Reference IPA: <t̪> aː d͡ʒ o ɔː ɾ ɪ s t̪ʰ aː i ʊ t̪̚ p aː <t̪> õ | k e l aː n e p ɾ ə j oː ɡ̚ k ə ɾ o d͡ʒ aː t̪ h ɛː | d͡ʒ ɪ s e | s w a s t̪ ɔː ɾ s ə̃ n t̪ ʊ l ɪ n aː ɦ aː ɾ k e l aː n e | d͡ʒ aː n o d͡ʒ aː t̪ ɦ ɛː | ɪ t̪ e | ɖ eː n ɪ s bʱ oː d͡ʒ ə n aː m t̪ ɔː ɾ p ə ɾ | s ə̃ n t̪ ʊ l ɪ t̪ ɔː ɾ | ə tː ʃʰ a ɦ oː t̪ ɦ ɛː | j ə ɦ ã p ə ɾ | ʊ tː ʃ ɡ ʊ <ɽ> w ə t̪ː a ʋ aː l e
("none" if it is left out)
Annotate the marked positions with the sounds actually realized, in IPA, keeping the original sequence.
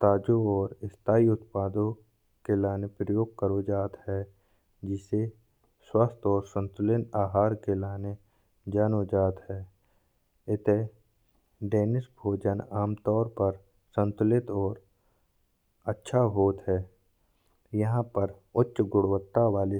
t̪, d̪, ɽ

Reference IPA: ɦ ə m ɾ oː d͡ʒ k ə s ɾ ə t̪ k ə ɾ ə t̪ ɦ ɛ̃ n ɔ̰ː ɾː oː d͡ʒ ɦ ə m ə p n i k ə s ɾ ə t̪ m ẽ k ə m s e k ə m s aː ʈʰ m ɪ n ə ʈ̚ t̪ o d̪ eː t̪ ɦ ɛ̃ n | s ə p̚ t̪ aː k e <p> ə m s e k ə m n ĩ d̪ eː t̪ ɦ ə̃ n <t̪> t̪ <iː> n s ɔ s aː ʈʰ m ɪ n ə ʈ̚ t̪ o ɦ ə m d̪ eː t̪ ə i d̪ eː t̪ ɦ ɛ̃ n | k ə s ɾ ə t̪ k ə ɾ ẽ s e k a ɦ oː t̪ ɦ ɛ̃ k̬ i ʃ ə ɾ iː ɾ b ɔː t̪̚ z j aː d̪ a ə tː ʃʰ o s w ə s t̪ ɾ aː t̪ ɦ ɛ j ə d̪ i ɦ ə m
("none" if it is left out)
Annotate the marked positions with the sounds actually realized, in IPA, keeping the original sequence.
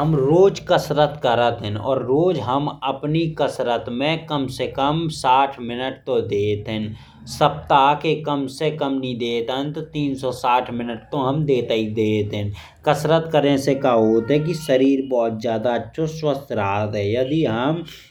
k, t̪, iː

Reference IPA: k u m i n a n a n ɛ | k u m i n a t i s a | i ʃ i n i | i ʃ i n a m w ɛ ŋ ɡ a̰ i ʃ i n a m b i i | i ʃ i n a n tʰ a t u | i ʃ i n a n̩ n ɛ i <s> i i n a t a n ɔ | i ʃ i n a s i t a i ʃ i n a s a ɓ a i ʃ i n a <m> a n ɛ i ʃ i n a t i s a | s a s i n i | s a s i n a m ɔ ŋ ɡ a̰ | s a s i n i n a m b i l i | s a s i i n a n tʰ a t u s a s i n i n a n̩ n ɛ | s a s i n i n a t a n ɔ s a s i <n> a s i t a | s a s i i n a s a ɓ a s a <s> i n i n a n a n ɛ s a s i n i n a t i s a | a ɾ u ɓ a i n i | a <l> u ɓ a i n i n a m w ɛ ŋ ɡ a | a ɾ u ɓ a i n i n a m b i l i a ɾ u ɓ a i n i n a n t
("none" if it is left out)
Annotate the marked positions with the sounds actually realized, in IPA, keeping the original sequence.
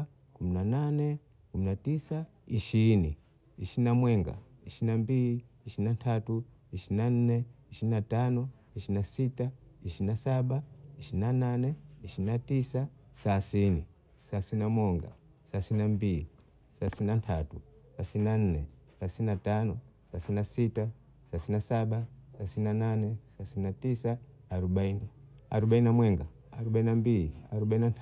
ʃ, n, n, s, ɾ

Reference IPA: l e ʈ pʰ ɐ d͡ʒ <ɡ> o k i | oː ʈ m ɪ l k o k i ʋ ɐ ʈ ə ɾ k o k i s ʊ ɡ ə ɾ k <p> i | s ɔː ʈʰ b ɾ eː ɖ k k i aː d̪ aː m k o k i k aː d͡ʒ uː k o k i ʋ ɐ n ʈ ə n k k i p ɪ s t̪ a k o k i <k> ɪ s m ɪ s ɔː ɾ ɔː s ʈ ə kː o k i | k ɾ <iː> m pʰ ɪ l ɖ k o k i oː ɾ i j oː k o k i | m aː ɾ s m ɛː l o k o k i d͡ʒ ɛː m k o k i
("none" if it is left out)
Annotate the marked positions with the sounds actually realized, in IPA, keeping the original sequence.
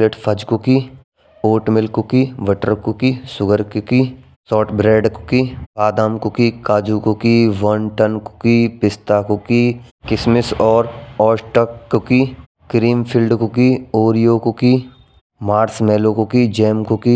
k, k, k, iː

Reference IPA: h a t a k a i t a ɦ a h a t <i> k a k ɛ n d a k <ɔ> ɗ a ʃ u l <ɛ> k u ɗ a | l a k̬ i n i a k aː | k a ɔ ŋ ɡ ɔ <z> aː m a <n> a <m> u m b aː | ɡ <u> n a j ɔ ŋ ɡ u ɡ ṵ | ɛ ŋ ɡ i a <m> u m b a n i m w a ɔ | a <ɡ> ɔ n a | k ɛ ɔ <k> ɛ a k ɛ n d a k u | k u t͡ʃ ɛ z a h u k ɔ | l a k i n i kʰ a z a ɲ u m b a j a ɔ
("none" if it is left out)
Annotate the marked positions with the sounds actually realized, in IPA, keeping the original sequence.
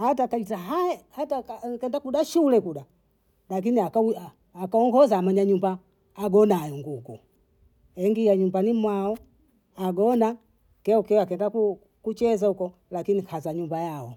a, u, ɛ, z, ɲ, ɲ, ɔ, ɲ, ɡ, k

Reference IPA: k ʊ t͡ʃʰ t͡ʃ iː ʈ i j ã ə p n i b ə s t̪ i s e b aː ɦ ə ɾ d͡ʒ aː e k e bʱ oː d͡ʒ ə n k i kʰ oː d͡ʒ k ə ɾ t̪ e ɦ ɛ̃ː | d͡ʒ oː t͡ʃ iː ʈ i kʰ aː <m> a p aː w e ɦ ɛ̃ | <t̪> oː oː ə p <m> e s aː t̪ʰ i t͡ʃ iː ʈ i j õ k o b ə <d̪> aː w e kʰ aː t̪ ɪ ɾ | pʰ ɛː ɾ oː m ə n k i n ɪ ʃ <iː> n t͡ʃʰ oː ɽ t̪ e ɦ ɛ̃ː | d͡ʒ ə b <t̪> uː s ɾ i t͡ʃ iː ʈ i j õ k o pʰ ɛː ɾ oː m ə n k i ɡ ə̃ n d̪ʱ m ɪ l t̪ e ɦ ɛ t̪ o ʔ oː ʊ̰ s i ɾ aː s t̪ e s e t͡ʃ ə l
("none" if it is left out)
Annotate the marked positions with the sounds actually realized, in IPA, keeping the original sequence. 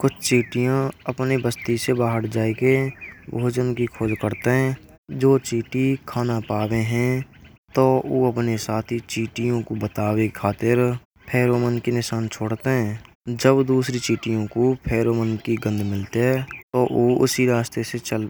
n, t̪, n, t̪, aː, d̪

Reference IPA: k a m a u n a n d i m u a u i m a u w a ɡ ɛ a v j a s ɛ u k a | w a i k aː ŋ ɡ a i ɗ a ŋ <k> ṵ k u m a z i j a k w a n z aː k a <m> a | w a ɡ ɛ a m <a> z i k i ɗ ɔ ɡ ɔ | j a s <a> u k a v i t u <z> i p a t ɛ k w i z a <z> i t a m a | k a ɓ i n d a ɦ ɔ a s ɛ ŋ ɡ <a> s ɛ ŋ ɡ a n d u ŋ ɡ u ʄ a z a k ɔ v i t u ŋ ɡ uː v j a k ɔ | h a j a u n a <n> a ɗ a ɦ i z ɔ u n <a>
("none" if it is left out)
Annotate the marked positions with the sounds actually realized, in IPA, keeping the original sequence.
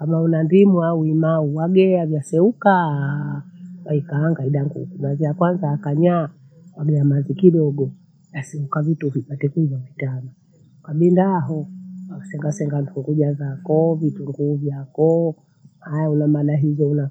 ɡ, ɲ, a, ɛ, v, v, a, m, a

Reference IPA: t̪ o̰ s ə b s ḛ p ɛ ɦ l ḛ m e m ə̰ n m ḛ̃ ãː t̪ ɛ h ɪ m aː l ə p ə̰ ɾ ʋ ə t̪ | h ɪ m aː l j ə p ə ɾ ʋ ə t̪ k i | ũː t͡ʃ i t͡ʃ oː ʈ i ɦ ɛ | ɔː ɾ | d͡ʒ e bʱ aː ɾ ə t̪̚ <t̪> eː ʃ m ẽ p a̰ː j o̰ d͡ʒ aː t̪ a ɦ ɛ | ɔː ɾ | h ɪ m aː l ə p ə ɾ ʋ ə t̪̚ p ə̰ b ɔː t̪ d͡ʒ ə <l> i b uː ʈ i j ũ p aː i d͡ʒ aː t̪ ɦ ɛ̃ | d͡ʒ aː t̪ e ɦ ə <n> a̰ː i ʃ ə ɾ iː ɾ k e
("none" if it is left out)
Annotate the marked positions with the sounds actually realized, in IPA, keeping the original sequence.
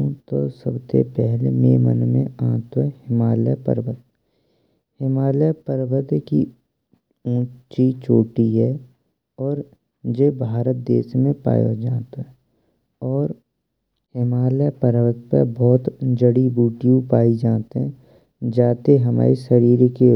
d̪, ɽ, m

